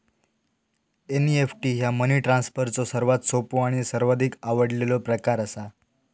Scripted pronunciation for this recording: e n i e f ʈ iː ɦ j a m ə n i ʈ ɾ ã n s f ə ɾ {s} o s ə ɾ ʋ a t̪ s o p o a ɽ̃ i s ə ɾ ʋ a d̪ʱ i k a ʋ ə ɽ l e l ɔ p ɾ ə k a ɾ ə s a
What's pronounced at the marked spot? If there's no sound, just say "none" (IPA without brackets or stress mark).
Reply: t͡s